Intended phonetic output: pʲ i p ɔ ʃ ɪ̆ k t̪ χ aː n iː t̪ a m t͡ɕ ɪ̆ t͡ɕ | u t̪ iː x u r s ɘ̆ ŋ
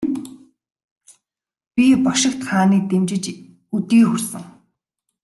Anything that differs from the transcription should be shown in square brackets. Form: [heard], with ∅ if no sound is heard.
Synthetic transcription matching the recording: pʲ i p ɔ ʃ ɪ̆ k t̪ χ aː n iː t̪ [e] m t͡ɕ ɪ̆ t͡ɕ | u t̪ iː x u r s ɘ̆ ŋ